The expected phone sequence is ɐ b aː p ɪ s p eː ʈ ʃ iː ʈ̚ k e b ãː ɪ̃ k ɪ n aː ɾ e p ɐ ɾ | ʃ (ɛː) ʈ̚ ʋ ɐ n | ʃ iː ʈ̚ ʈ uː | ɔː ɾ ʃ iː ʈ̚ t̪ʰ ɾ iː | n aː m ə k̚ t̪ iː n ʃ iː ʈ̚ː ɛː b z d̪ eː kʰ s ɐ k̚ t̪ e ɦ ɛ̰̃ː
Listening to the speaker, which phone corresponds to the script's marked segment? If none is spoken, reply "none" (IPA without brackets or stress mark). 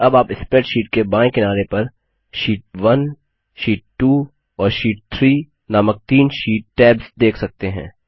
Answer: iː